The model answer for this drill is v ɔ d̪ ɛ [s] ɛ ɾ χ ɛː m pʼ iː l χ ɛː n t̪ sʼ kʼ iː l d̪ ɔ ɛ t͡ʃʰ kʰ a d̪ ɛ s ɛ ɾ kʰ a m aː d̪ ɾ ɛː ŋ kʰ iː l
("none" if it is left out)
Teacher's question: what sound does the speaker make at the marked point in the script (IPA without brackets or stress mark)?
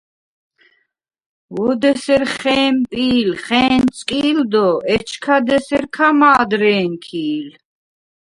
s